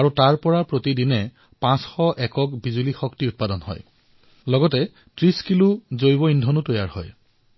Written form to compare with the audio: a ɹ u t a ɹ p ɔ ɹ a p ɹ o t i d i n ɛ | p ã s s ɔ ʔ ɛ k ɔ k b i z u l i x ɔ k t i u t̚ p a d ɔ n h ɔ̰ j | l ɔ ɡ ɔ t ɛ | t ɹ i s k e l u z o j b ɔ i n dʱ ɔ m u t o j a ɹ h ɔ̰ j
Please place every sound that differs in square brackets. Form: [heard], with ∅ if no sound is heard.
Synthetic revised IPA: a ɹ u t a ɹ p ɔ ɹ a p ɹ o t i d i n ɛ | p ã s [x] ɔ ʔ ɛ k ɔ k b i z u l i x ɔ k t i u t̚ p a d ɔ n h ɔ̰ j | l ɔ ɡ ɔ t ɛ | t ɹ i s k [i] l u z o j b ɔ i n dʱ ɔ [n] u t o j a ɹ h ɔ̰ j